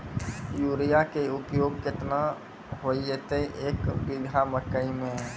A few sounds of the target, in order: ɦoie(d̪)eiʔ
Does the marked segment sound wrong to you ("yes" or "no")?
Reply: yes